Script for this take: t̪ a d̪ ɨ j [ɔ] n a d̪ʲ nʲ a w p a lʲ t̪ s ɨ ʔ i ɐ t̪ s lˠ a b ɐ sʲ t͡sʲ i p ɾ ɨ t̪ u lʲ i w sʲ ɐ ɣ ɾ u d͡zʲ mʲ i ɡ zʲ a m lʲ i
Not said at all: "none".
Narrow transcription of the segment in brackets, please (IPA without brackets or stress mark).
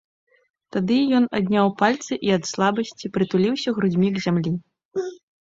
ɔ